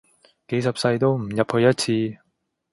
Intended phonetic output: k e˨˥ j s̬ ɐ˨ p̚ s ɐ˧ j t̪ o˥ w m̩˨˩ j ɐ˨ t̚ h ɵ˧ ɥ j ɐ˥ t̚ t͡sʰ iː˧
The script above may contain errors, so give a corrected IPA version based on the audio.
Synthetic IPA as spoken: k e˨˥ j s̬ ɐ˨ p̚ s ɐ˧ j t̪ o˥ w m̩˨˩ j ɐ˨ p̚ h ɵ˧ ɥ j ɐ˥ t̚ t͡sʰ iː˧